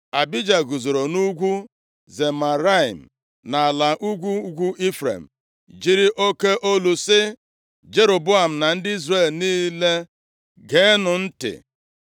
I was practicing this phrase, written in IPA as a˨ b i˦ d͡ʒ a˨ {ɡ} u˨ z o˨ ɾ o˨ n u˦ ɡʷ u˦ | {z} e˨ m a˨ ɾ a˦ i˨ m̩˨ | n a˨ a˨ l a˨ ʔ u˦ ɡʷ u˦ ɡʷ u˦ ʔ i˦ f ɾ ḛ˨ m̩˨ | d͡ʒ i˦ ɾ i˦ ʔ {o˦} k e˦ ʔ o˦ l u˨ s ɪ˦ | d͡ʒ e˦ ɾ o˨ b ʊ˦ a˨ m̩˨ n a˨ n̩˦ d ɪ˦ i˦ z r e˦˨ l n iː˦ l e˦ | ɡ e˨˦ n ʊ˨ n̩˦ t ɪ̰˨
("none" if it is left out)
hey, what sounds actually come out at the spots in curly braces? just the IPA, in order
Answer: ɡ, z, o˦

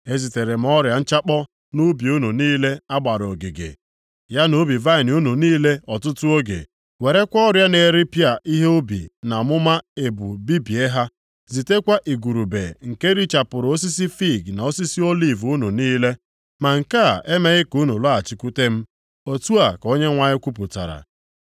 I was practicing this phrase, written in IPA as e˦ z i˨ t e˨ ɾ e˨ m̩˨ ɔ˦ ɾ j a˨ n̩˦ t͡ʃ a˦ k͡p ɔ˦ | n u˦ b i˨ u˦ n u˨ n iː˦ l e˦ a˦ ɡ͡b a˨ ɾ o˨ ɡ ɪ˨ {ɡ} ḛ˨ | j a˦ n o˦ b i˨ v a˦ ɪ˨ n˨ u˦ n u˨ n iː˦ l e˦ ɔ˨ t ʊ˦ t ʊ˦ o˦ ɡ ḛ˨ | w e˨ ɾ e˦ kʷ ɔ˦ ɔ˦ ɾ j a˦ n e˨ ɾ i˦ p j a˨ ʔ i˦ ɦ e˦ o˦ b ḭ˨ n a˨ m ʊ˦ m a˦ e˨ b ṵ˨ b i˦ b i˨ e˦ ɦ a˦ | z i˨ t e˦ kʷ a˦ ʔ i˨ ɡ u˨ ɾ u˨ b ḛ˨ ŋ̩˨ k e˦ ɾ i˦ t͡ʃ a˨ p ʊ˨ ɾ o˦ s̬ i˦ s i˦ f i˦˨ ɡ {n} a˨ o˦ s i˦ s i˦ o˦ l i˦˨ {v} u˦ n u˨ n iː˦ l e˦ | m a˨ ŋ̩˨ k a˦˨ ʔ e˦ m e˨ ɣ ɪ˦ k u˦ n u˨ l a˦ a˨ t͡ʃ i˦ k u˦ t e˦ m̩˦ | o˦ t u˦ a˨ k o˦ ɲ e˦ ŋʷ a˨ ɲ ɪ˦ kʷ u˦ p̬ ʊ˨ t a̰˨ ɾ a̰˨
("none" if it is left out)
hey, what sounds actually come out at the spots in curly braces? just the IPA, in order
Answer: ɡ, n, v

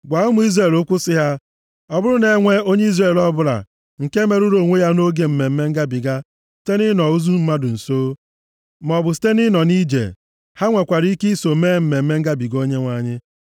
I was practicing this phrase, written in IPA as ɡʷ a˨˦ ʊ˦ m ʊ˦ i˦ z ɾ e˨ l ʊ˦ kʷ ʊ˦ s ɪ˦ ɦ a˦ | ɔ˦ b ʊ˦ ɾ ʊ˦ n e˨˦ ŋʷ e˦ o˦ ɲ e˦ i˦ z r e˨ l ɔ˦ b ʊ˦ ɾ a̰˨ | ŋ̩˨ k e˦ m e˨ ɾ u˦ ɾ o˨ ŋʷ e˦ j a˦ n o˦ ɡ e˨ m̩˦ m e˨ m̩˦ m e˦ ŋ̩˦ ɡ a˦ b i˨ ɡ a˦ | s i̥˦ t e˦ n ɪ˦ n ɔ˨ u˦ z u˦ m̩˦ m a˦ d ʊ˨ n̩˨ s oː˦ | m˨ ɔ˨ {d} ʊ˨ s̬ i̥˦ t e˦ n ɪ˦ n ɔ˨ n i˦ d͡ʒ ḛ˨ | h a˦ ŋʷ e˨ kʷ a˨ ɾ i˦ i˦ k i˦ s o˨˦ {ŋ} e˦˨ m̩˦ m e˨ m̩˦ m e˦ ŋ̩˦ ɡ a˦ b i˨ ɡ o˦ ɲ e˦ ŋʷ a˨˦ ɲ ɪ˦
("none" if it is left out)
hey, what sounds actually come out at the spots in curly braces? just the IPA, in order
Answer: b, m

